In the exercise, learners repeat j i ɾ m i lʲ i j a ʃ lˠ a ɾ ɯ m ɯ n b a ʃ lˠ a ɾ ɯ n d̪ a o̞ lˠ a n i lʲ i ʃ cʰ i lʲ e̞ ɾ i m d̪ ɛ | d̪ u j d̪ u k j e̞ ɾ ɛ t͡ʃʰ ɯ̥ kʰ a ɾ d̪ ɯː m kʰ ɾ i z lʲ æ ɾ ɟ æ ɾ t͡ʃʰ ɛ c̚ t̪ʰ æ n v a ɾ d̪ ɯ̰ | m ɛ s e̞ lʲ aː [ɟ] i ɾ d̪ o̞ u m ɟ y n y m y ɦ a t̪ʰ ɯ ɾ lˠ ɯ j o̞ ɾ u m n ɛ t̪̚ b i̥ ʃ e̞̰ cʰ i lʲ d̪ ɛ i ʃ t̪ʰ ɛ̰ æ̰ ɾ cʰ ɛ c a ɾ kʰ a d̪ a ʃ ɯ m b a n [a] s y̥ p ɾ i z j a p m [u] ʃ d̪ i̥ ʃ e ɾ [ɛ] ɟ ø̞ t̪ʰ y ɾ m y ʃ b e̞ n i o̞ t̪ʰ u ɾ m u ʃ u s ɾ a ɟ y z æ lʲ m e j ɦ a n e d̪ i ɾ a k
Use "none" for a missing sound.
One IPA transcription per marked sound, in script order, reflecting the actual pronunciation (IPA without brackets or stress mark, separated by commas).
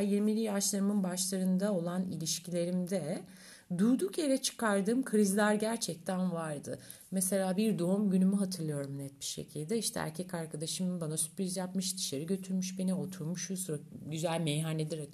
b, a, ɯ, i